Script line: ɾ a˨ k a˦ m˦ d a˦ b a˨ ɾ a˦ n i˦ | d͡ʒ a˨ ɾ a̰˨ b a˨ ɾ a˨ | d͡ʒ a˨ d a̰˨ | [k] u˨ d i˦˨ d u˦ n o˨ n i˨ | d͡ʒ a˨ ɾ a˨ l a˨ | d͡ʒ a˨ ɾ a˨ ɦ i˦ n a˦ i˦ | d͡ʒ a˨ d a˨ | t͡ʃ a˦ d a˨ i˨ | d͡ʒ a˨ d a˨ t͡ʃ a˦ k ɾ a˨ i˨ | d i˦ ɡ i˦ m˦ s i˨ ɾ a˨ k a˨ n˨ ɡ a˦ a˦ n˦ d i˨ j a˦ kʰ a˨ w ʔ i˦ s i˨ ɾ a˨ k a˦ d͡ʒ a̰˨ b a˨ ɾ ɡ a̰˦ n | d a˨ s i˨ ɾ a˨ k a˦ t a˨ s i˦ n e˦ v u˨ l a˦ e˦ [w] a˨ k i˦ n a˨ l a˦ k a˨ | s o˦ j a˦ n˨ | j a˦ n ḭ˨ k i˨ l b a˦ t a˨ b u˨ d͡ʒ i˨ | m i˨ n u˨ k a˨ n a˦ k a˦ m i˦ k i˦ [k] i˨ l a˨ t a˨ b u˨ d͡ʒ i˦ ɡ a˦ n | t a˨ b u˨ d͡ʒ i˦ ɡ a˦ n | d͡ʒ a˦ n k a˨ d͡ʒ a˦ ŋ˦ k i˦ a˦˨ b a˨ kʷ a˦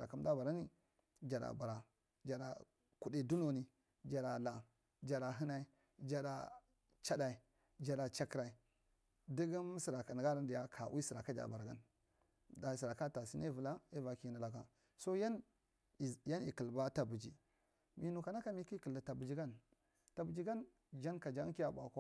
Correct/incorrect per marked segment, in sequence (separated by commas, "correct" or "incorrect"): correct, incorrect, correct